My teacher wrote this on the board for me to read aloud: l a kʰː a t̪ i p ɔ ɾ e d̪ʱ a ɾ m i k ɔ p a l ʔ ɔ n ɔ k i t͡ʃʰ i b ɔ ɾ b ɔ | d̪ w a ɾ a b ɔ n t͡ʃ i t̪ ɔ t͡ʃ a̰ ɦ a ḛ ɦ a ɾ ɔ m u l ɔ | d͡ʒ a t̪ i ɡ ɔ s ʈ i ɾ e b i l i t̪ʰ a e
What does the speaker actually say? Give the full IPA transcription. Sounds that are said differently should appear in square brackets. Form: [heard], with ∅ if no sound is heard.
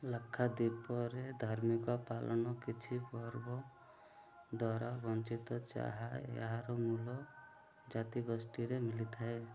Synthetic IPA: l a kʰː a [d̪] i p ɔ ɾ e d̪ʱ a ɾ m i k ɔ p a l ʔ ɔ n ɔ k i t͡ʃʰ i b ɔ ɾ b ɔ | d̪ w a ɾ a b ɔ n t͡ʃ i t̪ ɔ t͡ʃ a̰ ɦ a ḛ ɦ a ɾ ɔ m u l ɔ | d͡ʒ a t̪ i ɡ ɔ s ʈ i ɾ e [m] i l i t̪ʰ a e